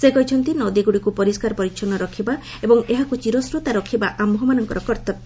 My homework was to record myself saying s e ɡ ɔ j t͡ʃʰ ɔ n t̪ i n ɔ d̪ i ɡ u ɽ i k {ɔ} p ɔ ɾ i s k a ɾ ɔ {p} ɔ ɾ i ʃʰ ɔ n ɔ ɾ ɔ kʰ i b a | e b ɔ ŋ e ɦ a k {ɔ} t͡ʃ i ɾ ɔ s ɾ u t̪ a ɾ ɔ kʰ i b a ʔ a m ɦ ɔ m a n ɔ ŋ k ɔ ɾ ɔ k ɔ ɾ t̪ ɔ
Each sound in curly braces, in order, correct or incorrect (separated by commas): incorrect, correct, incorrect